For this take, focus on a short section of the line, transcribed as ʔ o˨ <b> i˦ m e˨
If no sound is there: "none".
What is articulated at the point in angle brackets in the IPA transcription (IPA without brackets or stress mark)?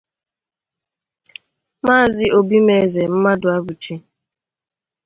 b